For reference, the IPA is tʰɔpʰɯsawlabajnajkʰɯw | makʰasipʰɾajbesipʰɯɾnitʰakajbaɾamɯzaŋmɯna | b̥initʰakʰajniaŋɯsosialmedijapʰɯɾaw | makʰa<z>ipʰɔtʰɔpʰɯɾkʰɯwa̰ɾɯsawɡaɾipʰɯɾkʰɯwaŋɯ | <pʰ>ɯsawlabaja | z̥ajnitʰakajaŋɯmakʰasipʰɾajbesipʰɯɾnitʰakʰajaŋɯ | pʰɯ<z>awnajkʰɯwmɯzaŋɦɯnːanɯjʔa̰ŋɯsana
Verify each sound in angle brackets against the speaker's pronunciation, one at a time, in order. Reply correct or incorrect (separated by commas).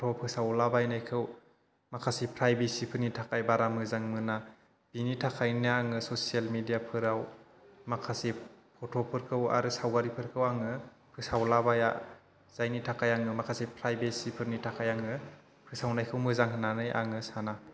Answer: incorrect, correct, incorrect